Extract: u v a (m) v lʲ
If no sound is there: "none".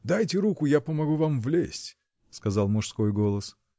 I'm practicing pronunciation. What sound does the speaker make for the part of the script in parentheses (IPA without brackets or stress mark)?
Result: m